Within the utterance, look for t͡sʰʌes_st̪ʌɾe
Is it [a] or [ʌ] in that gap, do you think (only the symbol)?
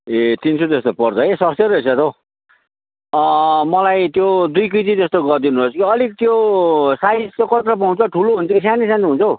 ʌ